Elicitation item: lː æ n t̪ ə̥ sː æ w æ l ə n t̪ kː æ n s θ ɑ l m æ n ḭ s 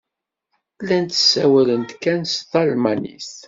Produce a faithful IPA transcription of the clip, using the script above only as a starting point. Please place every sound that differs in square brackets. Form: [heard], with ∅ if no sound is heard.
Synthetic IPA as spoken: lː æ n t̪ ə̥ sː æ w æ l ə n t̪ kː æ n s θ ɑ l m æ n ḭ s

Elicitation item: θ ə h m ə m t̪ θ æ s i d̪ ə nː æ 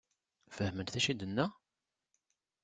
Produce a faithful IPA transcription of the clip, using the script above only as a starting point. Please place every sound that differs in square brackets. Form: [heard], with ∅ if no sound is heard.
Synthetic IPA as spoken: [f] ə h m ə [n] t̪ θ æ [ʃ] i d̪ ə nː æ

